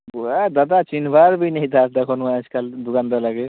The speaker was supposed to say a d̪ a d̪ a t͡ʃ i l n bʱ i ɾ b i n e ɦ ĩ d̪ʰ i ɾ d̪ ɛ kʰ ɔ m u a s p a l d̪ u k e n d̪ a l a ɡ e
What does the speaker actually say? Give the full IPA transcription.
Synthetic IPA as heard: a d̪ a d̪ a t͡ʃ i n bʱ a ɾ b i n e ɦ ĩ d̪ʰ a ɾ d̪ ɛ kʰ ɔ n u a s k a l d̪ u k a n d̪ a l a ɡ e